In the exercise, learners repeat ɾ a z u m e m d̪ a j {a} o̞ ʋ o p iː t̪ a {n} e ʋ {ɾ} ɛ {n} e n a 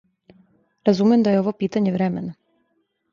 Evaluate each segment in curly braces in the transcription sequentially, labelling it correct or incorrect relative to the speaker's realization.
incorrect, incorrect, correct, incorrect

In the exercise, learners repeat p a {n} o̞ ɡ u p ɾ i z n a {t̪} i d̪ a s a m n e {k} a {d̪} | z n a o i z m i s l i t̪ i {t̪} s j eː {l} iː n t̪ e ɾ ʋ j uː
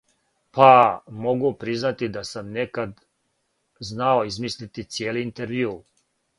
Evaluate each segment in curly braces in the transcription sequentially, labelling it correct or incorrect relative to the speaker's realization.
incorrect, correct, correct, correct, correct, correct

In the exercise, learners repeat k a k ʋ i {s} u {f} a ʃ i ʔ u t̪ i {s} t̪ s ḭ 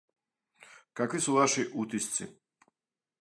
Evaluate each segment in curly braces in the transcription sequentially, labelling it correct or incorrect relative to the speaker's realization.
correct, incorrect, correct

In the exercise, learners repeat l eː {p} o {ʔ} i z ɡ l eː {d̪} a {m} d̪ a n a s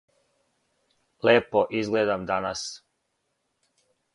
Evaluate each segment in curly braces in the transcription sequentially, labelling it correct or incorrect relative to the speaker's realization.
correct, correct, correct, correct

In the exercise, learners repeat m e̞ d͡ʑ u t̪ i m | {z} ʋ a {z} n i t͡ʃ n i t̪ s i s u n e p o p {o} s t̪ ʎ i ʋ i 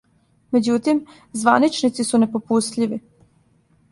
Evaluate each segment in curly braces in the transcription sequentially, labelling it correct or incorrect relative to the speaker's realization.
correct, incorrect, incorrect

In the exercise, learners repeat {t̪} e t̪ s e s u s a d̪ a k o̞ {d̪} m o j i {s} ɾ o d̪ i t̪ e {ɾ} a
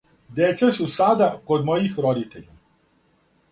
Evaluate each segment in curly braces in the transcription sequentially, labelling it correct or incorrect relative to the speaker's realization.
incorrect, correct, incorrect, incorrect

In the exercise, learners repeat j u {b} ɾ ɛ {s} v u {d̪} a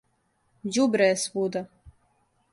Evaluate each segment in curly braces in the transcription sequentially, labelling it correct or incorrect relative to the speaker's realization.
correct, correct, correct

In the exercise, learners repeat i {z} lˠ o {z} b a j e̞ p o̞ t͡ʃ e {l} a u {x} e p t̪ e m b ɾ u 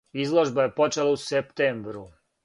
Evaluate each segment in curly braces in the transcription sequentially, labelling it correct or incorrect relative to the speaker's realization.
correct, incorrect, correct, incorrect

